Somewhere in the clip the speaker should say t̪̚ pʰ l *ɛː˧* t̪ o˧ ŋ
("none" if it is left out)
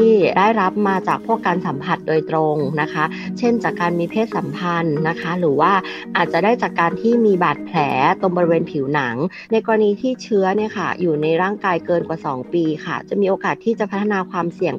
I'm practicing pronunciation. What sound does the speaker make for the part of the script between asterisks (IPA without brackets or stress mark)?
ɛː˩˦